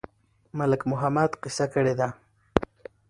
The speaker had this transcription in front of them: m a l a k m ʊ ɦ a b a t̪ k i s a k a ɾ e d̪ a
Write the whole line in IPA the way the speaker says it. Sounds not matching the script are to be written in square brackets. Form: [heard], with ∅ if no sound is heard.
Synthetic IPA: m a l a k m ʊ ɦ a [m] a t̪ [q] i s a k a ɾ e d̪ a